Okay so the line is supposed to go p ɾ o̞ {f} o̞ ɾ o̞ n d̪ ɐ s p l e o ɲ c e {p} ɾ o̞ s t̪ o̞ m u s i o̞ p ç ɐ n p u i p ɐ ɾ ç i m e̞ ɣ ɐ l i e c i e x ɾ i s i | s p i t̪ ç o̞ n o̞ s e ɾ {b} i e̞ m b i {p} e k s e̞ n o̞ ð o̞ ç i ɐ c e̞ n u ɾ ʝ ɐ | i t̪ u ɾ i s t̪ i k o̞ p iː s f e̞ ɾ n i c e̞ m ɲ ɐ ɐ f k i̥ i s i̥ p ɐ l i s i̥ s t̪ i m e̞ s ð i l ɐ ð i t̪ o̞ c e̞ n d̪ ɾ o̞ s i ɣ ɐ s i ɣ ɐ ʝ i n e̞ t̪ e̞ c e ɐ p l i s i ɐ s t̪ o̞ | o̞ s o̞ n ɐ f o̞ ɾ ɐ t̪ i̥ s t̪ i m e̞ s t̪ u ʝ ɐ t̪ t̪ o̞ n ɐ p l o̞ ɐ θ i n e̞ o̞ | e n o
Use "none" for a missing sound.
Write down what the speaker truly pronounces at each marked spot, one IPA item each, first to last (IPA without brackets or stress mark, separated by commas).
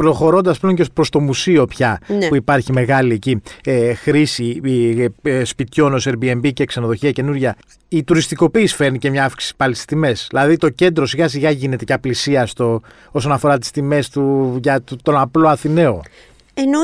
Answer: x, p, b, c